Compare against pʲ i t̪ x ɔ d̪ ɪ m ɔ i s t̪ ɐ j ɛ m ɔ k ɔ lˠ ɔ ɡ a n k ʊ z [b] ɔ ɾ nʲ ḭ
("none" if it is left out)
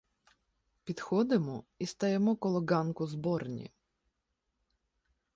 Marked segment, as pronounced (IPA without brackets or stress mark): b